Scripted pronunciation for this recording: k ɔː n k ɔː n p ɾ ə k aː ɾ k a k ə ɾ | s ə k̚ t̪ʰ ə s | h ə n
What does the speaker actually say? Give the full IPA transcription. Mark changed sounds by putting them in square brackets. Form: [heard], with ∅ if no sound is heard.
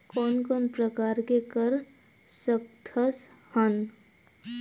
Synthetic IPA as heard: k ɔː n k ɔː n p ɾ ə k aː ɾ k [e] k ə ɾ | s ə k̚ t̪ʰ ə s | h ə n

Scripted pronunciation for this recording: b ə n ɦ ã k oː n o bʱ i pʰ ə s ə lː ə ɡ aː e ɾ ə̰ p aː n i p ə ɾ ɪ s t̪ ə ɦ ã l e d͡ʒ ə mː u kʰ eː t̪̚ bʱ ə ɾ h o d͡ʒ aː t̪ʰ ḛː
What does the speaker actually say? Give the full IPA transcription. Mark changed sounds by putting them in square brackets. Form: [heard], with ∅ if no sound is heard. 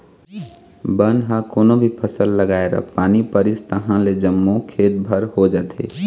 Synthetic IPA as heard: b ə n ɦ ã k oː n o bʱ i pʰ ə s ə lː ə ɡ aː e ɾ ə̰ p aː n i p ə ɾ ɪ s t̪ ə ɦ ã l e d͡ʒ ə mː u kʰ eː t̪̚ bʱ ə ɾ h o d͡ʒ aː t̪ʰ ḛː

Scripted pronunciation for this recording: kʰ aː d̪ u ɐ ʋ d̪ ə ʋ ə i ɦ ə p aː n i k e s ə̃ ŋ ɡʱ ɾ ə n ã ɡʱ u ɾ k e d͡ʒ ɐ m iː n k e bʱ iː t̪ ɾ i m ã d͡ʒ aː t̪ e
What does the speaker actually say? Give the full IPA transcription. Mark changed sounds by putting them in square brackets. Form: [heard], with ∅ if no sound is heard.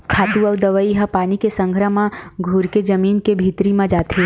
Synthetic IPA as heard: kʰ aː [t̪] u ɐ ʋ d̪ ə ʋ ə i ɦ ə p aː n i k e s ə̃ ŋ ɡʱ ɾ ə [m] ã ɡʱ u ɾ k e d͡ʒ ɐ m iː n k e bʱ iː t̪ ɾ i m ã d͡ʒ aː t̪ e

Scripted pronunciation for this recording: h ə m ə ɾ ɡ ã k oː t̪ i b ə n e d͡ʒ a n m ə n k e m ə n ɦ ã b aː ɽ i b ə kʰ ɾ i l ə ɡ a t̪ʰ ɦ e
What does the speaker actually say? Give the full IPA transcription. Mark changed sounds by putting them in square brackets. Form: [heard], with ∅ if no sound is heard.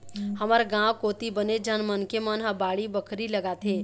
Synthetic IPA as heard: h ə m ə ɾ ɡ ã k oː t̪ i b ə n e d͡ʒ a n m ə n k e m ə n ɦ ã b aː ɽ i b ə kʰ ɾ i l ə ɡ a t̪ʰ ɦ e

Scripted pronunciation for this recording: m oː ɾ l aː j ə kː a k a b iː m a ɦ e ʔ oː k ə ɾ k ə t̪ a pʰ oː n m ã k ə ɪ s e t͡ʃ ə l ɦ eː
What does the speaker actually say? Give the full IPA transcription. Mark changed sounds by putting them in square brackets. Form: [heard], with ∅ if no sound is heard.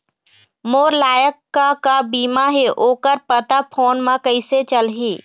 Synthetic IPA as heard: m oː ɾ l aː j ə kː a k a b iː m a ɦ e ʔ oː k ə ɾ [p] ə t̪ a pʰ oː n m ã k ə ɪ s e t͡ʃ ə l ɦ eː

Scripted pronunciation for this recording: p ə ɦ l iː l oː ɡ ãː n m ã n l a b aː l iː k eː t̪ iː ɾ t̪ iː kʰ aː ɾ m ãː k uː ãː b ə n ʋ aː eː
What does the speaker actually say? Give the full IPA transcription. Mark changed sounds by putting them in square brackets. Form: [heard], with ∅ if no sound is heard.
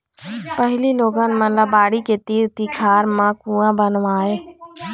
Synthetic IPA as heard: p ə ɦ l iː l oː ɡ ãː n m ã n l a b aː [ɽ] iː k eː t̪ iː ɾ t̪ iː kʰ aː ɾ m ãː k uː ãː b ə n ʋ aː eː

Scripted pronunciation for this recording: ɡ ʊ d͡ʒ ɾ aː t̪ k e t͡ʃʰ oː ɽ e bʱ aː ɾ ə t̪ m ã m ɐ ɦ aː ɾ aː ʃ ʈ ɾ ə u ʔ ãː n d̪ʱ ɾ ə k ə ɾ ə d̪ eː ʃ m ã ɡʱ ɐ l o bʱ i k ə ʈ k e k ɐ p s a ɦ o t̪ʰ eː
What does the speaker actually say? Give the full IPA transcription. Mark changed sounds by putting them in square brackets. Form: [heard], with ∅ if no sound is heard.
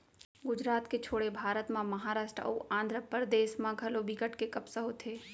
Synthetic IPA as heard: ɡ ʊ d͡ʒ ɾ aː t̪ k e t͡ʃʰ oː ɽ e bʱ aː ɾ ə t̪ m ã m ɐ ɦ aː ɾ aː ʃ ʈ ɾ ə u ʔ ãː n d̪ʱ ɾ ə [p] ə ɾ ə d̪ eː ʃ m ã ɡʱ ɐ l o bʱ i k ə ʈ k e k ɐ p s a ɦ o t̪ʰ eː

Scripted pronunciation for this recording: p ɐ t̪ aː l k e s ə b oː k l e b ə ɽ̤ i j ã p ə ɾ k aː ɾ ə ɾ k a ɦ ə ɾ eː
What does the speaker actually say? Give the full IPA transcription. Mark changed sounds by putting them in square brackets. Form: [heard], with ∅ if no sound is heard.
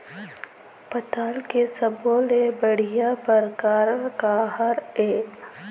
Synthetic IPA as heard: p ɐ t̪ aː l k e s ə b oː [∅] l e b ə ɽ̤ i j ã p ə ɾ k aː ɾ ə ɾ k a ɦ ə ɾ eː

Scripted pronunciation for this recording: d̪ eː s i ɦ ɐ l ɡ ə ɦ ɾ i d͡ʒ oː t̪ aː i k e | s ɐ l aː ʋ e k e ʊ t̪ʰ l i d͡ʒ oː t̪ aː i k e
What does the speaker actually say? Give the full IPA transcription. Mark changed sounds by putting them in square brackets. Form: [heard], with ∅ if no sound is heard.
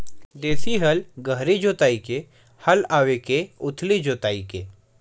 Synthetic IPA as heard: d̪ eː s i ɦ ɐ l ɡ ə ɦ ɾ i d͡ʒ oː t̪ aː i k e | [h] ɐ l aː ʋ e k e ʊ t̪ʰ l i d͡ʒ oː t̪ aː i k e

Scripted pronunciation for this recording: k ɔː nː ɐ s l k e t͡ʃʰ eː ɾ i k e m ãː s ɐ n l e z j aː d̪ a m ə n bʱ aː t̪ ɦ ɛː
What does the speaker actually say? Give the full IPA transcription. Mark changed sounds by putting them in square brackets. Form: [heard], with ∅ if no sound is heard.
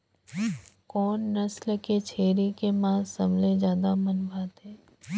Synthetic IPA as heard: k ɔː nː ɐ s l k e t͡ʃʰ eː ɾ i k e m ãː s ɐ [m] l e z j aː d̪ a m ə n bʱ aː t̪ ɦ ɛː

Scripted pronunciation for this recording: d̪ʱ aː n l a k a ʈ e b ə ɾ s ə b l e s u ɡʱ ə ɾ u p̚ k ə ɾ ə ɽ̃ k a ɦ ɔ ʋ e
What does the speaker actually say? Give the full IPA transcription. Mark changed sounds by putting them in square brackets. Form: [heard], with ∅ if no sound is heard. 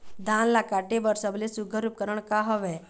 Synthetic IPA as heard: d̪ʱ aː n l a k a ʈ e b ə ɾ s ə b l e s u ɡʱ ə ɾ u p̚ k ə ɾ ə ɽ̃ k a ɦ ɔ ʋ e

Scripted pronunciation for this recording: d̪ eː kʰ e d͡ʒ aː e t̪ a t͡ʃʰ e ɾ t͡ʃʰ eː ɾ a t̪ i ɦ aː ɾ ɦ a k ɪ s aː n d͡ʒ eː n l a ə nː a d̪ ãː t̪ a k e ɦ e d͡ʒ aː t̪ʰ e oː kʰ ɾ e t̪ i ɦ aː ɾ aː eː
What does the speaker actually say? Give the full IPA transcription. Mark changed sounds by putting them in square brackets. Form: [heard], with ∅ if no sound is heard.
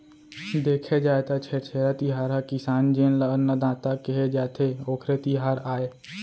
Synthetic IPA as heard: d̪ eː kʰ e d͡ʒ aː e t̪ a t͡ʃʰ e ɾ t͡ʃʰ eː ɾ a t̪ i ɦ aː ɾ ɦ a k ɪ s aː n d͡ʒ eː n l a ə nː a d̪ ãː t̪ a k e ɦ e d͡ʒ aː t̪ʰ e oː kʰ ɾ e t̪ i ɦ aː ɾ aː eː

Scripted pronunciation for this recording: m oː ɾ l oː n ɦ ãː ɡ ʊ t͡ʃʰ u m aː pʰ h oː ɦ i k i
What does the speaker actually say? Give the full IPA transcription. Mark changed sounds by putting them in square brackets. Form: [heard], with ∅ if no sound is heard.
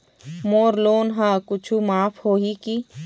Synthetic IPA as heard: m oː ɾ l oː n ɦ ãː [k] ʊ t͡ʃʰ u m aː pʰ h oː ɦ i k i

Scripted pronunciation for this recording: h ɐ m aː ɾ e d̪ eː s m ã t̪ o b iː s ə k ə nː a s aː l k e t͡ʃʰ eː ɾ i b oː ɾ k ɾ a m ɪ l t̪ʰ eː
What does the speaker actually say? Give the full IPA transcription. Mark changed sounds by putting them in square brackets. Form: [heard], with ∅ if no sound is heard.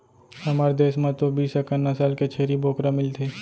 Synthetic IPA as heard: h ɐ m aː ɾ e d̪ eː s m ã t̪ o b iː s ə k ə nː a s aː l k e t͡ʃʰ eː ɾ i b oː [∅] k ɾ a m ɪ l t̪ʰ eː

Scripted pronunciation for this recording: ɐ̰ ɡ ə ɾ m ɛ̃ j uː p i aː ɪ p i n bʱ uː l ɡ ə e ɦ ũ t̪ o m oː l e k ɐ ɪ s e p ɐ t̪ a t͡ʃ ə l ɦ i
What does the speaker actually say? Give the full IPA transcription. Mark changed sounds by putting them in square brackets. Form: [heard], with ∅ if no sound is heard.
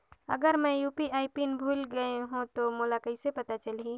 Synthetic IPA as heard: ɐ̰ ɡ ə ɾ m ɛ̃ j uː p i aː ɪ p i n bʱ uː l ɡ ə e ɦ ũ t̪ o m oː l [a] k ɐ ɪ s e p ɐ t̪ a t͡ʃ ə l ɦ i

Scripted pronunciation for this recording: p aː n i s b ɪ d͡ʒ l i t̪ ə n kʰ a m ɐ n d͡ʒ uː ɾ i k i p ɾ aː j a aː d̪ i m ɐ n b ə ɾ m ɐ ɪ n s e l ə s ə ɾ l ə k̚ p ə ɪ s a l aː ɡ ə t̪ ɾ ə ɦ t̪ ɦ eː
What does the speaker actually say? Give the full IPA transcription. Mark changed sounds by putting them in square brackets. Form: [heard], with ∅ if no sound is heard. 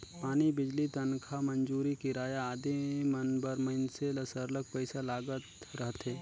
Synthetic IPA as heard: p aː n i [∅] b ɪ d͡ʒ l i t̪ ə n kʰ a m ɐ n d͡ʒ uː ɾ i k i [∅] ɾ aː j a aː d̪ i m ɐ n b ə ɾ m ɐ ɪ n s e l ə s ə ɾ l ə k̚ p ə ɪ s a l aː ɡ ə t̪ ɾ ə ɦ t̪ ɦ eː

